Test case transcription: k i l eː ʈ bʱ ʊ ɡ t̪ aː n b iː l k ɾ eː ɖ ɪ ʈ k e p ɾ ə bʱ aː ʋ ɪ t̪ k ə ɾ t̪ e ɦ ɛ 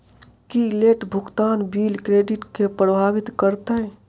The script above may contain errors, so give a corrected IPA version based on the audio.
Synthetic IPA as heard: k i l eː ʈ bʱ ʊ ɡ t̪ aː n b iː l k ɾ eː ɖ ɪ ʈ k e p ɾ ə bʱ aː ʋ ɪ t̪ k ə ɾ t̪ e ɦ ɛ